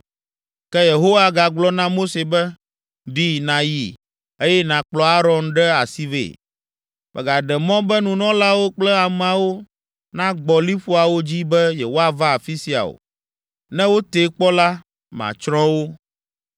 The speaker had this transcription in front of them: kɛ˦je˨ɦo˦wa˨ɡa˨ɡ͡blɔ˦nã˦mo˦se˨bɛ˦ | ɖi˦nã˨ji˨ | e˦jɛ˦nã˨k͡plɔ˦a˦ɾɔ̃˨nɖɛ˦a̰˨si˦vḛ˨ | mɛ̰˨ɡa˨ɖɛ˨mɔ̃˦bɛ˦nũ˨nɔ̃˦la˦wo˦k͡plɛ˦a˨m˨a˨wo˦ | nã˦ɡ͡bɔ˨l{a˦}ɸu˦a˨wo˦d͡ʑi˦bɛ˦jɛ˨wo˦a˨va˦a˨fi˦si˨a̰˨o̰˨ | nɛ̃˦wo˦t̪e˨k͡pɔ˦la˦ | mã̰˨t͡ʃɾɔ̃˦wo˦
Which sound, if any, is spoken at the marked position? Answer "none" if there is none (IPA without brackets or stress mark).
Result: i˦